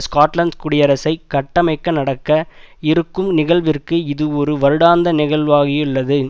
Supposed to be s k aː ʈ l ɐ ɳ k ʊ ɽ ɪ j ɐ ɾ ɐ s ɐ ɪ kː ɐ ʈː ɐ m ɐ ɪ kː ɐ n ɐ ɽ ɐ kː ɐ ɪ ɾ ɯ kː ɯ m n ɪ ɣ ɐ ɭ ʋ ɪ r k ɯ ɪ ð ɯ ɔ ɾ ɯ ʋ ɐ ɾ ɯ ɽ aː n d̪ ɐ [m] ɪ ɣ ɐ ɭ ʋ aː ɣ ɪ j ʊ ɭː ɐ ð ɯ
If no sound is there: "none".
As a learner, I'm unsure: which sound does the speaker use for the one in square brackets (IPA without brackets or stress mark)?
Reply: n